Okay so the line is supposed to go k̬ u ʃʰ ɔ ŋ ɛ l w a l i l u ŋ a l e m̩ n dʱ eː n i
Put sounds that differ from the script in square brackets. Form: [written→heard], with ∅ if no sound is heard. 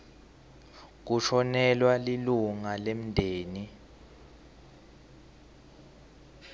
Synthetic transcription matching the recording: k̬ u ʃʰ ɔ [ŋ→n] ɛ l w a l i l u ŋ a l e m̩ n dʱ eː n i